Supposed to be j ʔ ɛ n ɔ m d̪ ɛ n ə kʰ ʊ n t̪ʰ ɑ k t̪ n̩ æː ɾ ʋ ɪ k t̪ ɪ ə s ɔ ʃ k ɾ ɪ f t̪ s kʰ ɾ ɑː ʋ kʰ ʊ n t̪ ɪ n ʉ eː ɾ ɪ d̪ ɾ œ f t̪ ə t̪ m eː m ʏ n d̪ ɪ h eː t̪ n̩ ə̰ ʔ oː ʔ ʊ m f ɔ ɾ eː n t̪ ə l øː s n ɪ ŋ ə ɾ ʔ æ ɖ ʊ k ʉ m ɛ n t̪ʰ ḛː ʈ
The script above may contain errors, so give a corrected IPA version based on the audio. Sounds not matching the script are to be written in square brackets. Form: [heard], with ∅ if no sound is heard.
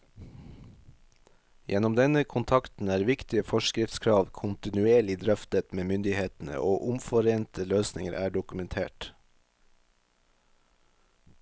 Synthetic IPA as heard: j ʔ ɛ n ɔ m d̪ ɛ n ə kʰ ʊ n t̪ʰ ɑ k t̪ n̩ æː ɾ ʋ ɪ k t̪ ɪ ə [f] ɔ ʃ k ɾ ɪ f t̪ s kʰ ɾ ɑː ʋ kʰ ʊ n t̪ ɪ n ʉ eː [ɭ] ɪ d̪ ɾ œ f t̪ ə t̪ m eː m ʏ n d̪ ɪ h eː t̪ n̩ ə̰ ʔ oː ʔ ʊ m f ɔ ɾ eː n t̪ ə l øː s n ɪ ŋ ə ɾ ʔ [æː] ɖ ʊ k ʉ m ɛ n t̪ʰ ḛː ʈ